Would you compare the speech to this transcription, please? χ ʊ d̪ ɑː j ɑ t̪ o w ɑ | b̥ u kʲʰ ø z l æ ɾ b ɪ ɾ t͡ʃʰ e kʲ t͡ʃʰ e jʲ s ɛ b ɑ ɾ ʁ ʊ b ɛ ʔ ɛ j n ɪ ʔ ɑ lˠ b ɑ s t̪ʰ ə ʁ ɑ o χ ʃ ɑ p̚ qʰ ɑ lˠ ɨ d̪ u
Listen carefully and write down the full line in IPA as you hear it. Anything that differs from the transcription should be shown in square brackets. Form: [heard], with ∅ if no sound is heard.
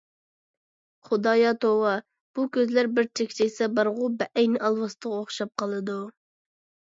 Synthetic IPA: χ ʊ d̪ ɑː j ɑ t̪ o w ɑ | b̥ u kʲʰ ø z l æ ɾ b ɪ ɾ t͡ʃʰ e kʲ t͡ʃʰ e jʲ s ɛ b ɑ ɾ ʁ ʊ b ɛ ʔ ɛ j n ɪ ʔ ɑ lˠ [w] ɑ s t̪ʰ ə ʁ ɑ o χ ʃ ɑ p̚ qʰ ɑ lˠ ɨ d̪ u